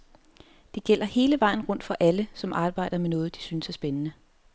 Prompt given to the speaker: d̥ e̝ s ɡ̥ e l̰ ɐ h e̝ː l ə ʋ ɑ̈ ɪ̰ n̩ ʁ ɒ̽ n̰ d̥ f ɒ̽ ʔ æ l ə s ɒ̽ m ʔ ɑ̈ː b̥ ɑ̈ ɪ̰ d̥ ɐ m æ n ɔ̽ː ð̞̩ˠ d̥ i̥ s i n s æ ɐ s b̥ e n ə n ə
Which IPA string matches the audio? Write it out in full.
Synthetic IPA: d̥ e̝ ɡ̥ e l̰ ɐ h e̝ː l ə ʋ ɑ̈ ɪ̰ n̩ ʁ ɔ̽ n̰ d̥ f ɒ̽ ʔ æ l ə s ɒ̽ m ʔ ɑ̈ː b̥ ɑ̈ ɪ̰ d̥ ɐ m e n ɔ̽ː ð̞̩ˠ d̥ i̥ s y n s æ ɐ s b̥ e n ə n ə

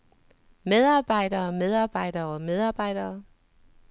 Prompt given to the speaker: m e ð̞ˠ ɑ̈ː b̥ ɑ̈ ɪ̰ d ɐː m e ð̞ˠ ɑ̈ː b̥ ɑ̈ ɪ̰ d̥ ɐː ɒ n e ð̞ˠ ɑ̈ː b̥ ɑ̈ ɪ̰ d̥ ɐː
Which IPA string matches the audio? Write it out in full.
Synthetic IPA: m e ð̞ˠ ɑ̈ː b̥ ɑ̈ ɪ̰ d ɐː m e ð̞ˠ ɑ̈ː b̥ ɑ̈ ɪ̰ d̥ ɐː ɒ m e ð̞ˠ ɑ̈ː b̥ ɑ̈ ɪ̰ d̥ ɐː

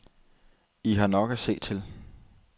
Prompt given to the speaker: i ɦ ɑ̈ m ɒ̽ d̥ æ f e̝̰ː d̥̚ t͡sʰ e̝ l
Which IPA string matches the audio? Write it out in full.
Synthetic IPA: i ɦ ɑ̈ n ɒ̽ ɡ̥ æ s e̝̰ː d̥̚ t͡sʰ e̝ l

